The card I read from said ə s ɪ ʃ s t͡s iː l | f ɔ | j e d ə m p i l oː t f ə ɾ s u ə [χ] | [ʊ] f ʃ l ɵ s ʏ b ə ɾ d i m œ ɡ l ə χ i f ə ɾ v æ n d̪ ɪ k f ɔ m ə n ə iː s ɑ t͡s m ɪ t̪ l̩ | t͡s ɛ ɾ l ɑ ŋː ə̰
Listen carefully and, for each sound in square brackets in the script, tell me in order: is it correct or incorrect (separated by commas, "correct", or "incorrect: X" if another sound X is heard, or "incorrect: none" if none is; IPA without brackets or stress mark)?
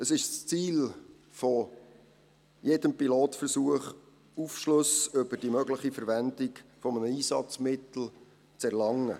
correct, incorrect: u